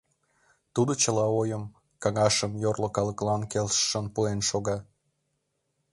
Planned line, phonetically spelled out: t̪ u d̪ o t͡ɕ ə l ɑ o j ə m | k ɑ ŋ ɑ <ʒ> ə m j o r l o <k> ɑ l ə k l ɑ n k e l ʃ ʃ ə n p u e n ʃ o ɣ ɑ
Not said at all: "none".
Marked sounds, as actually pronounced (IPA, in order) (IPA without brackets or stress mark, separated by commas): ʃ, k